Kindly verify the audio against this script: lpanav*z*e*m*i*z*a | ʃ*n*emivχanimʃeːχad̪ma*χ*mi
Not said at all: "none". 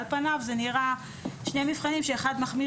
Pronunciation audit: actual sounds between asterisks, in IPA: z, n, ʁ, n, χ

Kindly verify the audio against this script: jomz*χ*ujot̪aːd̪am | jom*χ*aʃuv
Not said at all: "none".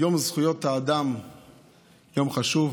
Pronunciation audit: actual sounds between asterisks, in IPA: χ, χ

